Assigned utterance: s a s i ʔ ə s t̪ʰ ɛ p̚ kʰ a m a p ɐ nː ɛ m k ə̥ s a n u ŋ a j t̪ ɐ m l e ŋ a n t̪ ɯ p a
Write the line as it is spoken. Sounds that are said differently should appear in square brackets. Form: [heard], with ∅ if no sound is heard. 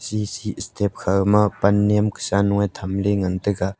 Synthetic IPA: s [i] s i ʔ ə s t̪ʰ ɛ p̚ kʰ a m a p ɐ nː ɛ m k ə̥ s a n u ŋ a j [t̪ʰ] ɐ m l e ŋ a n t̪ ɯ [k] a